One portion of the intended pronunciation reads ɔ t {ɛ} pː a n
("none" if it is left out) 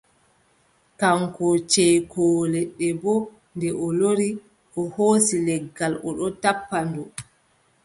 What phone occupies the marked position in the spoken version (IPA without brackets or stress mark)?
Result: a